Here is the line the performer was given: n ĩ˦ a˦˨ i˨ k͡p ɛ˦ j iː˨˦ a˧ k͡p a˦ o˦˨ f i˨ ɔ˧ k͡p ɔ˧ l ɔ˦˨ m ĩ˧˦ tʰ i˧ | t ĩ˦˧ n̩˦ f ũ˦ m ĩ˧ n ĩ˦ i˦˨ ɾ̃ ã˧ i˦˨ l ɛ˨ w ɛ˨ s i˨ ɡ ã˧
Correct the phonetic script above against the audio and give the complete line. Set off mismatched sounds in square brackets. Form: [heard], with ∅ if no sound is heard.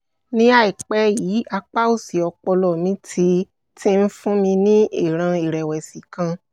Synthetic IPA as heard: n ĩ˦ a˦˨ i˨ k͡p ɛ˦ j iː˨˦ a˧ k͡p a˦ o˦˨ [s] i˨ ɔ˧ k͡p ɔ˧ l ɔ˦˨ m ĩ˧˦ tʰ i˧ | t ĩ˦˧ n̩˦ f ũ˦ m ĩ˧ n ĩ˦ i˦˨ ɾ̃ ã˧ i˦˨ [ɾ] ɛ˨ w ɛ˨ s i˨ [k] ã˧